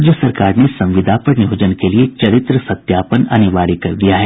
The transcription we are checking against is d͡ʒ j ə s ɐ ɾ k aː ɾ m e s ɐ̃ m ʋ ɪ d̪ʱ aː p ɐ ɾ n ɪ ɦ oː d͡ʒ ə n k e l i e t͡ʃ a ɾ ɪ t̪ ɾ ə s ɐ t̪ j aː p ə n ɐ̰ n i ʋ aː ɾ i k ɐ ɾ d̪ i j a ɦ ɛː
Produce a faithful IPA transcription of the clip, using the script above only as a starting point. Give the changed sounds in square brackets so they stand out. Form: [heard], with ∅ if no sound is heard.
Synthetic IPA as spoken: d͡ʒ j ə s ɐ ɾ k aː ɾ [n] e s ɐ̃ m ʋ ɪ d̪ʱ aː p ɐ ɾ n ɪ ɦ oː d͡ʒ ə n k e l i e t͡ʃ [ɐ] ɾ ɪ t̪ ɾ ə s ɐ t̪ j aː p ə n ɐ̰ n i ʋ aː ɾ i k ɐ ɾ d̪ i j a ɦ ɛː